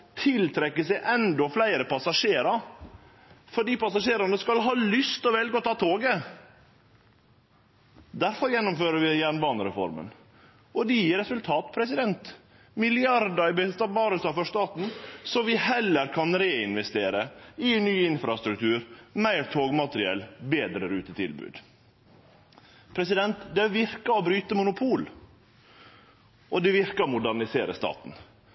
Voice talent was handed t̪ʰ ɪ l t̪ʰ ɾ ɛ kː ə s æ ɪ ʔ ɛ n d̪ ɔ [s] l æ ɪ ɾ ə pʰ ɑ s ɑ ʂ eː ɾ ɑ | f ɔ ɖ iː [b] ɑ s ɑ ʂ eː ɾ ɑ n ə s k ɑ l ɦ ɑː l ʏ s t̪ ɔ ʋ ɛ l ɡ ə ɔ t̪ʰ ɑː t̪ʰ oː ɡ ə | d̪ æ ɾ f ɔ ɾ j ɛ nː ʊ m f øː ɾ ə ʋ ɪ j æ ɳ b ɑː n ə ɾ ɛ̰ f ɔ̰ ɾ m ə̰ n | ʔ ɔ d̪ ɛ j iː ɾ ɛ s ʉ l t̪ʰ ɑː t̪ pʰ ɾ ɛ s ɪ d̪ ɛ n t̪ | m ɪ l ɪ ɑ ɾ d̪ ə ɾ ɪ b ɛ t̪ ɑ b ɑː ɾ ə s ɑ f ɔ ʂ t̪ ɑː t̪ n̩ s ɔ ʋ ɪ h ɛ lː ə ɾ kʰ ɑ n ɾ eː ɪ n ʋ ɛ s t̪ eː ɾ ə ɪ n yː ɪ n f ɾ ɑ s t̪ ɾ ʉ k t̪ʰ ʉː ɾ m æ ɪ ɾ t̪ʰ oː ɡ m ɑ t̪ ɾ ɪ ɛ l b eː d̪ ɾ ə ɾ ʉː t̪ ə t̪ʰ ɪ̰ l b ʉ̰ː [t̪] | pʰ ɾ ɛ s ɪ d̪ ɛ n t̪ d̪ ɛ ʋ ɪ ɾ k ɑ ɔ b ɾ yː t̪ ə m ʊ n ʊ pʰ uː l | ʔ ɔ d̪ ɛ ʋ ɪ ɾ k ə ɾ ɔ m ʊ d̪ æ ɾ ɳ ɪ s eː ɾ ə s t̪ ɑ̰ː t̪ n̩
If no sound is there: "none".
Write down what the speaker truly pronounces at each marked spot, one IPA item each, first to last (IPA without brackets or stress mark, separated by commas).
f, p, d̪